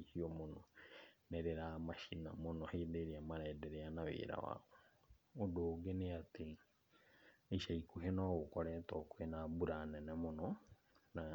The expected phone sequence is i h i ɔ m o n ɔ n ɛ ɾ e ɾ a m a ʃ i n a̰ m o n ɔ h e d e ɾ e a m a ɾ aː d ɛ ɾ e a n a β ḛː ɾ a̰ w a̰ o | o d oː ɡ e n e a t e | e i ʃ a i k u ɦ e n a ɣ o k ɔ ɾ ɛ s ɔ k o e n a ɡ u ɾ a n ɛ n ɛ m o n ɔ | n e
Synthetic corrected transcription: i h i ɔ m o n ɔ n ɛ ɾ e ɾ a m a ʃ i n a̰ m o n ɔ h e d e ɾ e a m a ɾ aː d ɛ ɾ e a n a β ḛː ɾ a̰ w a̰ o | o d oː ɡ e n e a t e | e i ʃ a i k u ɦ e n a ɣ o k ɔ ɾ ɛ t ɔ k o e n a b u ɾ a n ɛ n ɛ m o n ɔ | n a